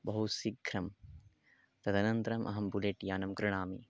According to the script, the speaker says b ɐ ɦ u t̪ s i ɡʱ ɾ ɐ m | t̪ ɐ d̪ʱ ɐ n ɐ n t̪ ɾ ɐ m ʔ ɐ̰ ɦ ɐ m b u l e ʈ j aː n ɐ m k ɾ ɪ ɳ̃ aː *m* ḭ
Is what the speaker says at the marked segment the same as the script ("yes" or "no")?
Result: yes